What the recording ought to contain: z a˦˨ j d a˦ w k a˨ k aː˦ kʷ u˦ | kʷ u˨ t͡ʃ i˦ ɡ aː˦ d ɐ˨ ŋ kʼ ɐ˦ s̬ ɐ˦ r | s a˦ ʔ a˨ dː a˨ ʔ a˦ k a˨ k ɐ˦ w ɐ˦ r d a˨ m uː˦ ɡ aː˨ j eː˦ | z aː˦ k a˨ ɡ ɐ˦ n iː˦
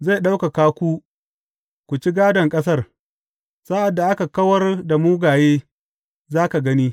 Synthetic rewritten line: z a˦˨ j ɗ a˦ w k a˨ k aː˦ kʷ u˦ | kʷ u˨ t͡ʃ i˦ ɡ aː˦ d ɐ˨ ŋ kʼ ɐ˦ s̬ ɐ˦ r | s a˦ ʔ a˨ dː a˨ ʔ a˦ k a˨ k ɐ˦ w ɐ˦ r d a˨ m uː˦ ɡ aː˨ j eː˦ | z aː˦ k a˨ ɡ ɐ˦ n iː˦

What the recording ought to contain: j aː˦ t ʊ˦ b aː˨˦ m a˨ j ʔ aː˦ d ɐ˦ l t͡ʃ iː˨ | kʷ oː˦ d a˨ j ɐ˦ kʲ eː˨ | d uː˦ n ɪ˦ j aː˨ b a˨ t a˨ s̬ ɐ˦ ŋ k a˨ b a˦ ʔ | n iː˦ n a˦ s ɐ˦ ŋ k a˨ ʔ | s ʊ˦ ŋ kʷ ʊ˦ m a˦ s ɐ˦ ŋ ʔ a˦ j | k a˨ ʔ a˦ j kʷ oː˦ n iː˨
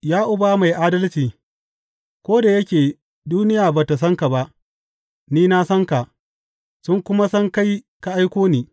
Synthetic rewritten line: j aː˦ ʔ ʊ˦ b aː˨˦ m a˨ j ʔ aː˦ d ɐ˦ l t͡ʃ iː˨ | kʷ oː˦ d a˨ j ɐ˦ kʲ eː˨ | d uː˦ n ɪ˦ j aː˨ b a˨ t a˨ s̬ ɐ˦ ŋ k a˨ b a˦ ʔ | n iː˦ n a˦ s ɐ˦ ŋ k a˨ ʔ | s ʊ˦ ŋ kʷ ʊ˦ m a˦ s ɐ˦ ŋ k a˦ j | k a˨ ʔ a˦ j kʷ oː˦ n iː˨

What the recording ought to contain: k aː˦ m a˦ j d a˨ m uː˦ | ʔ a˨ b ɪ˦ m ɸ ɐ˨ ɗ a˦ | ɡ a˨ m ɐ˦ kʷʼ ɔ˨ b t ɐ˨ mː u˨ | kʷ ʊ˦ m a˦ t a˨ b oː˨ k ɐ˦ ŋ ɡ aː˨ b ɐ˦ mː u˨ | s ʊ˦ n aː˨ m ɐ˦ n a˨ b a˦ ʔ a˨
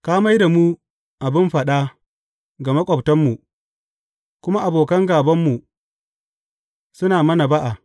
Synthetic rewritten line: k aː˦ m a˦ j d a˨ m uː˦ | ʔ a˨ b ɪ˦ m ɸ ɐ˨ ɗ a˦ | ɡ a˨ m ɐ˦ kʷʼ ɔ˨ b t ɐ˦ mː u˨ | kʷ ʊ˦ m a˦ ʔ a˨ b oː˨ k ɐ˦ ŋ ɡ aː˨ b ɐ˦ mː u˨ | s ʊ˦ n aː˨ m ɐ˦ n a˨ b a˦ ʔ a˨

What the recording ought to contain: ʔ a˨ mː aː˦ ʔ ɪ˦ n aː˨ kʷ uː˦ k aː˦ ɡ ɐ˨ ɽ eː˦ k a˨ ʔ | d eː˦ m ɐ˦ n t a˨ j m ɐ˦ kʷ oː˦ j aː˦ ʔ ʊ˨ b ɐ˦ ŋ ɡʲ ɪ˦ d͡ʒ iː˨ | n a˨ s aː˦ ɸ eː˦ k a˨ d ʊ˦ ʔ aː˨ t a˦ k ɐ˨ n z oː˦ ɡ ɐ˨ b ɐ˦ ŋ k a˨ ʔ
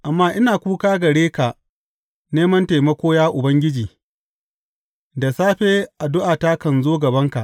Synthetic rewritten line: ʔ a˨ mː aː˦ ʔ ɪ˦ n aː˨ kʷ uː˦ k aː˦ ɡ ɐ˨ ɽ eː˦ k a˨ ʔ | n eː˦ m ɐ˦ n t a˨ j m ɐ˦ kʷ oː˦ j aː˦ ʔ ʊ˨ b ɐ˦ ŋ ɡʲ ɪ˦ d͡ʒ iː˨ | d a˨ s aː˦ ɸ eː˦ ʔ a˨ d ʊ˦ ʔ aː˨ t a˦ k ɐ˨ n z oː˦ ɡ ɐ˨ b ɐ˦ ŋ k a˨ ʔ

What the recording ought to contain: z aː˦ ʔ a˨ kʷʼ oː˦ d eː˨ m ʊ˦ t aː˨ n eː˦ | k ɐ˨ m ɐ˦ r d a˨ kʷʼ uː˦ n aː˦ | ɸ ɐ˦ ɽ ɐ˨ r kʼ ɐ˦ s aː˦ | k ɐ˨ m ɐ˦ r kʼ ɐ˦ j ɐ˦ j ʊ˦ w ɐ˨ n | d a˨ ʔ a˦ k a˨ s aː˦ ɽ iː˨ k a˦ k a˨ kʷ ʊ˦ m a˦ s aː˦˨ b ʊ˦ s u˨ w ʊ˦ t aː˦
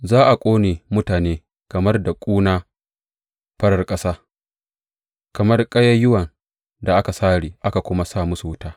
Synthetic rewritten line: z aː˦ ʔ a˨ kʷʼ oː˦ n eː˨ m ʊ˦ t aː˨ n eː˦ | k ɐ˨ m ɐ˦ r d a˨ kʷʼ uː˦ n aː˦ | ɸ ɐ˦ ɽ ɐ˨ r kʼ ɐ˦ s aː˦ | k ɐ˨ m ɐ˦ r kʼ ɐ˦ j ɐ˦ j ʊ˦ w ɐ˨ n | d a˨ ʔ a˦ k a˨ s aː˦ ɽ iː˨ ʔ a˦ k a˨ kʷ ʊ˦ m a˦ s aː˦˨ m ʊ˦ s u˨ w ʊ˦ t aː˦

